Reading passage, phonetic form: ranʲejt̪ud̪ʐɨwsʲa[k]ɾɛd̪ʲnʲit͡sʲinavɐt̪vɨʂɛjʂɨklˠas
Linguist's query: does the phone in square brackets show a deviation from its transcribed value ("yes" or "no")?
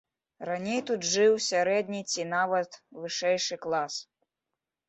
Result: yes